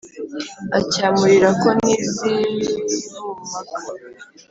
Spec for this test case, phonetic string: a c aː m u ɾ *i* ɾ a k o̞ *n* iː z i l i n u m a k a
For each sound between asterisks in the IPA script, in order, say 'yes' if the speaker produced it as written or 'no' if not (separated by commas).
yes, yes